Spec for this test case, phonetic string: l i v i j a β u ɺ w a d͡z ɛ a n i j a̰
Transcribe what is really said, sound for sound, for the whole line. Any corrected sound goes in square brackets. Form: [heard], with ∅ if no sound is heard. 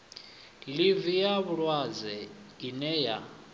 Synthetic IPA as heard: l i v i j a β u ɺ w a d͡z ɛ [i] n [ɛ] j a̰